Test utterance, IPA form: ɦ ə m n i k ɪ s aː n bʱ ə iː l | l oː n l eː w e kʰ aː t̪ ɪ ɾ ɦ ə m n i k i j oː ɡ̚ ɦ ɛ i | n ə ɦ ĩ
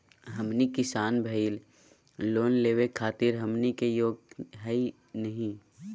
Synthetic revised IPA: ɦ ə m n i k ɪ s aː n bʱ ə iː l | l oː n l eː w e kʰ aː t̪ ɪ ɾ ɦ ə m n i k e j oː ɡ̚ ɦ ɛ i | n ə ɦ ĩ

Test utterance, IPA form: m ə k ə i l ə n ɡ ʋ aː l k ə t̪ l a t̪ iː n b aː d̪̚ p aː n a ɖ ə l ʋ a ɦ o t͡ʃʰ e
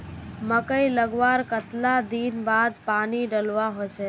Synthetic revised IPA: m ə k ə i l ə ɡ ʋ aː ɾ k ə t̪ l a d̪ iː n b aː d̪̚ p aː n i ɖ ə l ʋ a ɦ o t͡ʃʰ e

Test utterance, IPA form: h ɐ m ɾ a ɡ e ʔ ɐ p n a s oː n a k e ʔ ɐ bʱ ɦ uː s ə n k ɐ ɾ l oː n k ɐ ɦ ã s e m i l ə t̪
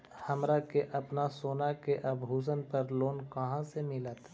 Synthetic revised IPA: h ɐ m ɾ a k e ʔ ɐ p n a s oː n a k e ʔ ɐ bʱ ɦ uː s ə n p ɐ ɾ l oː n k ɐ ɦ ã s e m ɪ l ə t̪

